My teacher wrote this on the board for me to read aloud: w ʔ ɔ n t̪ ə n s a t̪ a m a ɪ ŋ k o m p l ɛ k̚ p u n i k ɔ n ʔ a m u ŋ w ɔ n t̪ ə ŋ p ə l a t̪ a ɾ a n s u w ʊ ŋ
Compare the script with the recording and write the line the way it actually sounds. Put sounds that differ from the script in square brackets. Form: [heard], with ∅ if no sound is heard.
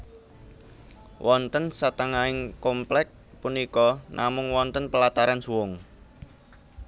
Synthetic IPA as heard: w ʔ ɔ n t̪ ə n s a t̪ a [ŋ] a ɪ ŋ k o m p l ɛ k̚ p u n i k ɔ n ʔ a m [ʊ] ŋ w ɔ n t̪ ə [n] p ə l a t̪ a ɾ a n s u w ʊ ŋ